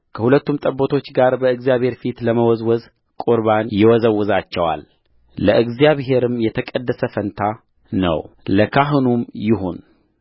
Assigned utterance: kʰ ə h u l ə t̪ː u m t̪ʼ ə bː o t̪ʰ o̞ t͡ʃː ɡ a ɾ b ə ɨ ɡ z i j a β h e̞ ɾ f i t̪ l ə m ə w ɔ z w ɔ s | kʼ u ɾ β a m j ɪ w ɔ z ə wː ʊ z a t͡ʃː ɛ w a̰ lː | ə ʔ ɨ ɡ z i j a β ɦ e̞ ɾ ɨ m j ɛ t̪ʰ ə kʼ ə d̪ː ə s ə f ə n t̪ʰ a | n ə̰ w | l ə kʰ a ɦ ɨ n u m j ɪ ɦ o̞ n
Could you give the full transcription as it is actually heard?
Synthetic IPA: kʰ ə h u l ə t̪ː u m t̪ʼ ə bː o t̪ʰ o̞ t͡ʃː ɡ a ɾ b ə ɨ ɡ z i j a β h e̞ ɾ f i t̪ l ə m ə w ɔ z w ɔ z | kʼ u ɾ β a n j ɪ w ɔ z ə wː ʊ z a t͡ʃː ɛ w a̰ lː | ə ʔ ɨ ɡ z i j a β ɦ e̞ ɾ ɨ m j ɛ t̪ʰ ə kʼ ə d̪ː ə s ə f ə n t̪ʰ a | n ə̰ w | l ə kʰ a ɦ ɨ n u m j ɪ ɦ o̞ n